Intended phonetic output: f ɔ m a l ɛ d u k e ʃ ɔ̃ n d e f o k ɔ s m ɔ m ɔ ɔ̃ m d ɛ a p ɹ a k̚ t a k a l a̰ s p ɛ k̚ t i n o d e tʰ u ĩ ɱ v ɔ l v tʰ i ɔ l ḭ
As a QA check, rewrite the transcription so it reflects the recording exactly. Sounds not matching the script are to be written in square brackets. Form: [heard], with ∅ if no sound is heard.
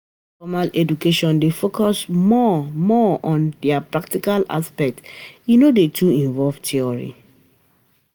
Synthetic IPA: f ɔ m a l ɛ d u k e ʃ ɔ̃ n d e f o k ɔ s m ɔ m ɔ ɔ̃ [n] d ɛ a p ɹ a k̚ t [i] k a l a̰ s p ɛ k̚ t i n o d e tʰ u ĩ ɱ v ɔ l v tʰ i ɔ [ɹ] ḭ